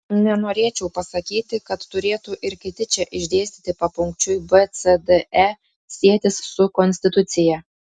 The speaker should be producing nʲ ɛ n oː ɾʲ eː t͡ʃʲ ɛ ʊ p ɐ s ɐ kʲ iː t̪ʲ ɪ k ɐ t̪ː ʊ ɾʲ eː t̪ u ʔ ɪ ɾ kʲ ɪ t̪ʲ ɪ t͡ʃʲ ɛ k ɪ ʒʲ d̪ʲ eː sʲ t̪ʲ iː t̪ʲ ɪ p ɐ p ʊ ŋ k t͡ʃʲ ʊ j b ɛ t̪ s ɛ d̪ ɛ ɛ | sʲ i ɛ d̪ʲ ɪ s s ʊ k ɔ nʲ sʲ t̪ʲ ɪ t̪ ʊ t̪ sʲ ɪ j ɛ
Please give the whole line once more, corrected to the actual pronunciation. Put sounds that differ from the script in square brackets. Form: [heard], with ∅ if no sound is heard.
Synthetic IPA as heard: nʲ ɛ n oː ɾʲ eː t͡ʃʲ ɛ ʊ p ɐ s ɐ kʲ iː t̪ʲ ɪ k ɐ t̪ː ʊ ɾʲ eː t̪ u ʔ ɪ ɾ kʲ ɪ t̪ʲ ɪ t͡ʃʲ ɛ [ʔ] ɪ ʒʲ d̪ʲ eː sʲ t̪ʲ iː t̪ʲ ɪ p ɐ p ʊ ŋ k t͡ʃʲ ʊ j b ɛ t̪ s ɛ d̪ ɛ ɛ | sʲ i ɛ [t̪ʲ] ɪ s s ʊ k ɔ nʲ sʲ t̪ʲ ɪ t̪ ʊ t̪ sʲ ɪ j ɛ